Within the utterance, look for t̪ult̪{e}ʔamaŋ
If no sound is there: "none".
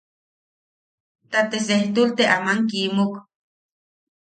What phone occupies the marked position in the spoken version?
e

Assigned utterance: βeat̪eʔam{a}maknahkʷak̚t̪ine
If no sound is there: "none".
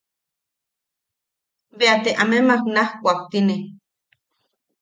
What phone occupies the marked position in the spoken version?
e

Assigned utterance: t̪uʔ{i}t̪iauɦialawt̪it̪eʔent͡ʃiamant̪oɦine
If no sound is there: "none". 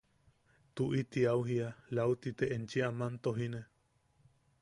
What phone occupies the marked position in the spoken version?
i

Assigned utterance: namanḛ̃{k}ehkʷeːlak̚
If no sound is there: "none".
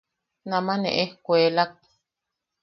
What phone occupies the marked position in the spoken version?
ʔ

